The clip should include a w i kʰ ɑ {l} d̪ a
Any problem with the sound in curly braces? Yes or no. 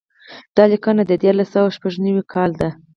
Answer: no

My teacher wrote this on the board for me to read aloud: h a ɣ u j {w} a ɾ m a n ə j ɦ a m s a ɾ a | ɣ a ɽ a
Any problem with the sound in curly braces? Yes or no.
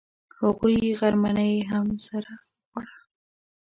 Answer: yes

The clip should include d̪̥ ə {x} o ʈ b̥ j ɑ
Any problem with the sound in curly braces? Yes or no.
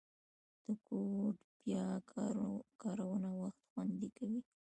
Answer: yes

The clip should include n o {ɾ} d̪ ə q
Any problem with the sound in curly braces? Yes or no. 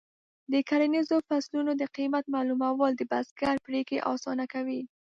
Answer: yes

